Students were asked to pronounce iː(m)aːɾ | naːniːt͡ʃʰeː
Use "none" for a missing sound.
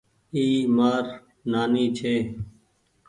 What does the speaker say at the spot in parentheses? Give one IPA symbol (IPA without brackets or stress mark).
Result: m